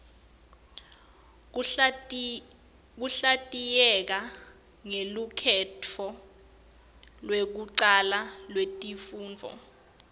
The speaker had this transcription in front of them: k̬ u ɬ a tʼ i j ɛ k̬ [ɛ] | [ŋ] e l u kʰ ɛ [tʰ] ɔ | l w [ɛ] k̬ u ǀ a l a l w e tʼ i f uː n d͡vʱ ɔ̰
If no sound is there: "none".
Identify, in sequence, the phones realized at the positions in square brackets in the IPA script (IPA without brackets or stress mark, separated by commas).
a, ŋ, tʰ, e